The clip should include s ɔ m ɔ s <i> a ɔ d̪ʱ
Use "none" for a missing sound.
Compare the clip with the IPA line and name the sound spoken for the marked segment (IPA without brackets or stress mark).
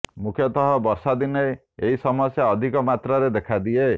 j